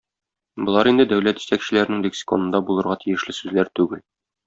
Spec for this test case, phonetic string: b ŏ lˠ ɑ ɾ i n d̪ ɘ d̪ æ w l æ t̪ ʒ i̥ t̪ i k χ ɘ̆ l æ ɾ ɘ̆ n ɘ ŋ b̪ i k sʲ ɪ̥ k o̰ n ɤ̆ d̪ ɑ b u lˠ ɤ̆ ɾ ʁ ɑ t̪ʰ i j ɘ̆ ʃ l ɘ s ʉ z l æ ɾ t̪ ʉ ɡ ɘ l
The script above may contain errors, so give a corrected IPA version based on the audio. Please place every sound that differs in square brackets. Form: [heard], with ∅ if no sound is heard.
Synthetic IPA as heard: b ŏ lˠ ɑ ɾ i n d̪ ɘ d̪ æ w l æ t̪ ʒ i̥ t̪ [æ] k [ɕ] ɘ̆ l æ ɾ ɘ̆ n ɘ ŋ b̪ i k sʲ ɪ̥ k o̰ n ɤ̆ d̪ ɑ b u lˠ ɤ̆ ɾ ʁ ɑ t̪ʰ i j ɘ̆ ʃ l ɘ s ʉ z l æ ɾ t̪ ʉ ɡ ɘ l